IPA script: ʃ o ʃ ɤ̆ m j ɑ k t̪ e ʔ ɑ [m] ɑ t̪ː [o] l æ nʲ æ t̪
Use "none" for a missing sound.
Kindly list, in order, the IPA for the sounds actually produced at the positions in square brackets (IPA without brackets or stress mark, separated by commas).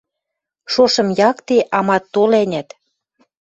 m, o